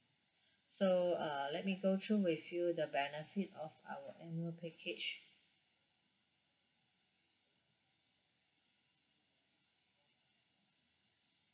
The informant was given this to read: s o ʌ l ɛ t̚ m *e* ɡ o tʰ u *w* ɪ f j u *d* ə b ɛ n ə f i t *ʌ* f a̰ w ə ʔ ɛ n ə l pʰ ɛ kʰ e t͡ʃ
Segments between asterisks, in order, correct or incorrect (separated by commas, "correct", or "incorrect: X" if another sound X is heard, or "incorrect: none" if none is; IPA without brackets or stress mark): incorrect: i, correct, correct, incorrect: ɔ